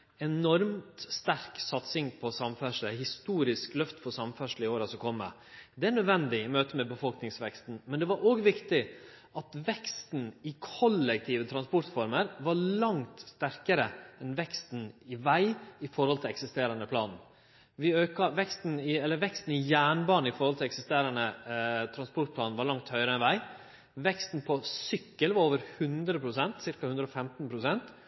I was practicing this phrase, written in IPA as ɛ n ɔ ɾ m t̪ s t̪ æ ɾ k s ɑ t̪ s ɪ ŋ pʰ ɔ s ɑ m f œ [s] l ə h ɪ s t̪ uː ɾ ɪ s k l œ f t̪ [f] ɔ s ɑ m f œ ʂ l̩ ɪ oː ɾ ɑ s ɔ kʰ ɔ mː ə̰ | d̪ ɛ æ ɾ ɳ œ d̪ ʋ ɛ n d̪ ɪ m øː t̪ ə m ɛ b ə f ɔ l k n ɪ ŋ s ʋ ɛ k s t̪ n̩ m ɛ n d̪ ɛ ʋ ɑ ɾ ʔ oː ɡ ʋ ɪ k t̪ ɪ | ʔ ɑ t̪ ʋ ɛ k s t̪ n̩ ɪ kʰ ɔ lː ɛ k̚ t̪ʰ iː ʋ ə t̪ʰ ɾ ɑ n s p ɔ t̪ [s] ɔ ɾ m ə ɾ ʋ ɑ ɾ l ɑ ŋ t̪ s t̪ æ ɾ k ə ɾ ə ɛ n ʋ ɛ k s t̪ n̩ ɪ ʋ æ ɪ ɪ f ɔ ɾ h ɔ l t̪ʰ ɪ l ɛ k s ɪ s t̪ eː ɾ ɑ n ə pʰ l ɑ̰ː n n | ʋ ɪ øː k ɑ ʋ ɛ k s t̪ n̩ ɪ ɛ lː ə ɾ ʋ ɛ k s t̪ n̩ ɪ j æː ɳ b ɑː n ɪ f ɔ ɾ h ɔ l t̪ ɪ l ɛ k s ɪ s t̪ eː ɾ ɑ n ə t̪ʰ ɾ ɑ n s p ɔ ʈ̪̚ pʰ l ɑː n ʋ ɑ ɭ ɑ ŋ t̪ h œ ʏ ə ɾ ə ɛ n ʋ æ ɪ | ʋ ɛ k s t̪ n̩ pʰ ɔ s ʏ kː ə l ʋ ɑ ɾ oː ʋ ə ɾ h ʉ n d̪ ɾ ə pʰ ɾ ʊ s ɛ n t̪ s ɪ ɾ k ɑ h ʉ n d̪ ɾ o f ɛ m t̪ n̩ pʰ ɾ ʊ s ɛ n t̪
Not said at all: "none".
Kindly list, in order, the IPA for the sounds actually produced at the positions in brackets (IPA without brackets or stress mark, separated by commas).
ʂ, f, f